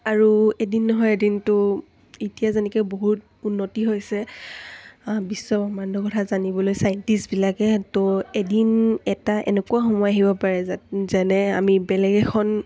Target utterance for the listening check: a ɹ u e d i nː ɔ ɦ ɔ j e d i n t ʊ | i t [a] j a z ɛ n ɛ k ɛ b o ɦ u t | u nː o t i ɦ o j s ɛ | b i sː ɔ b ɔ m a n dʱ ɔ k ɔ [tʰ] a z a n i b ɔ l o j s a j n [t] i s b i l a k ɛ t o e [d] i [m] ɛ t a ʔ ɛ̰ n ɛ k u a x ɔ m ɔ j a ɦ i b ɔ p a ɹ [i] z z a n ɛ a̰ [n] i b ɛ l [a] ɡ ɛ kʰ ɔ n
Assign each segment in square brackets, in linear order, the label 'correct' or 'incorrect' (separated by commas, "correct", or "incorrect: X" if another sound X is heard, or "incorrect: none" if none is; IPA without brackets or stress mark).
incorrect: i, correct, correct, correct, incorrect: n, incorrect: ɛ, incorrect: m, incorrect: ɛ